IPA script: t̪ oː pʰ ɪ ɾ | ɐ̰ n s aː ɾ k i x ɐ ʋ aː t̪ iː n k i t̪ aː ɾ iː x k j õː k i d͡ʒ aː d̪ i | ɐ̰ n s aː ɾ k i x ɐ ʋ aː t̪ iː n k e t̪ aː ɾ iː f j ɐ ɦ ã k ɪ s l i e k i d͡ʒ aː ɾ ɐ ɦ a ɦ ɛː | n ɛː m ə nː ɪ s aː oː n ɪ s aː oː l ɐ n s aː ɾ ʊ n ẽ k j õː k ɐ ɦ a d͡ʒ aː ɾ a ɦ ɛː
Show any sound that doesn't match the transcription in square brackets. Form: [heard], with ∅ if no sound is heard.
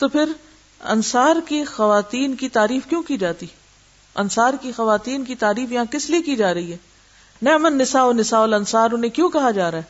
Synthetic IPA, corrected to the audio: t̪ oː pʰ ɪ ɾ | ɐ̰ n s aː ɾ k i x ɐ ʋ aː t̪ iː n k i t̪ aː ɾ iː [f] k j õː k i d͡ʒ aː [t̪] i | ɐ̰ n s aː ɾ k i x ɐ ʋ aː t̪ iː n k [i] t̪ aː ɾ iː f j ɐ ɦ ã k ɪ s l i e k i d͡ʒ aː ɾ ɐ ɦ [i] ɦ ɛː | n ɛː m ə nː ɪ s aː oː n ɪ s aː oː l ɐ n s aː ɾ ʊ n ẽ k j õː k ɐ ɦ a d͡ʒ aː ɾ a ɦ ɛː